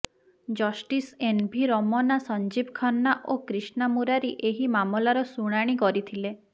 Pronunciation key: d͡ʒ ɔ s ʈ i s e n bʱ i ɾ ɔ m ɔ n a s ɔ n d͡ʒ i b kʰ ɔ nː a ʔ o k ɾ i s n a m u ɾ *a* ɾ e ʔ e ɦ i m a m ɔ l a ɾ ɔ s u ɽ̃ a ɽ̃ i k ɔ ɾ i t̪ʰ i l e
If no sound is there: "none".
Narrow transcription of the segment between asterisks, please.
a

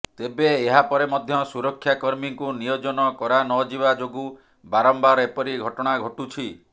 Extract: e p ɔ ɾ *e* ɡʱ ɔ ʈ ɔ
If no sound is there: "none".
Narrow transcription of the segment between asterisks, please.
i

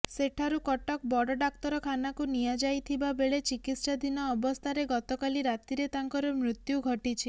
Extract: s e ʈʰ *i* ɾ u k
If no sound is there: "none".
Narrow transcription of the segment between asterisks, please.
a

